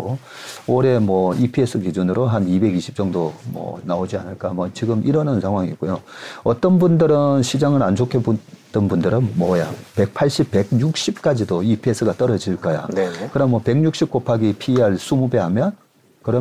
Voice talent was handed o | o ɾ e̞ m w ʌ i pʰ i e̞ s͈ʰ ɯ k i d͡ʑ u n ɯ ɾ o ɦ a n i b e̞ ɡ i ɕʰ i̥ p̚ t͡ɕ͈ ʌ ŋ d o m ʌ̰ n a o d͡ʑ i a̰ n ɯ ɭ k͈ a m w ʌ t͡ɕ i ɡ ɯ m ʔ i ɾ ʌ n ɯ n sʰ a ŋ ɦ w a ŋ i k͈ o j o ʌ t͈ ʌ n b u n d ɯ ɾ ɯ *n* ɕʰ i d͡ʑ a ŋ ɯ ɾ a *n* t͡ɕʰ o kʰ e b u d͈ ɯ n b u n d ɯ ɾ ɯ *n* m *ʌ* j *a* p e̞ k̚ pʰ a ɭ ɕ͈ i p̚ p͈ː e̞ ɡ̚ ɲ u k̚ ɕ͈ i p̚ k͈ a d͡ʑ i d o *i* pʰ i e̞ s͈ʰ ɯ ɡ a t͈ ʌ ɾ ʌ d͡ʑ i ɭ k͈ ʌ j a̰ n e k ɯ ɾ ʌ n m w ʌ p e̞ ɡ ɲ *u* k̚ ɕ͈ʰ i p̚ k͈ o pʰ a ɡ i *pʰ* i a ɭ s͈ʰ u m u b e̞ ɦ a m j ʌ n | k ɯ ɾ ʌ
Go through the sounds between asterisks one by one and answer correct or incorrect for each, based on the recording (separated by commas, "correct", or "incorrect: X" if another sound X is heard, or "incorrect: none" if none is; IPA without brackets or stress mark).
correct, correct, correct, correct, correct, correct, correct, correct